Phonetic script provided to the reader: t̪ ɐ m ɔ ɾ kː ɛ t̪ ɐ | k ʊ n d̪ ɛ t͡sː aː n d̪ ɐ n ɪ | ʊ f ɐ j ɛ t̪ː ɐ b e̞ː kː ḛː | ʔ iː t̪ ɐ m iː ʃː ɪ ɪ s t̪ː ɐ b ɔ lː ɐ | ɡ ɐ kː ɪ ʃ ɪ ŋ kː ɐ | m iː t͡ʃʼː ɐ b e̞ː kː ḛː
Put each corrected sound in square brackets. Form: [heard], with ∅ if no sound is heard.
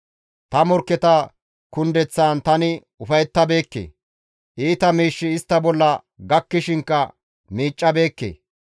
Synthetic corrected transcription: t̪ ɐ m ɔ ɾ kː ɛ t̪ ɐ | k ʊ n d̪ ɛ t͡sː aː n [t̪] ɐ n ɪ | ʊ f ɐ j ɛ t̪ː ɐ b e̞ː kː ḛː | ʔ iː t̪ ɐ m iː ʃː ɪ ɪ s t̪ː ɐ b ɔ lː ɐ | ɡ ɐ kː ɪ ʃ ɪ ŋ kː ɐ | m iː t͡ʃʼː ɐ b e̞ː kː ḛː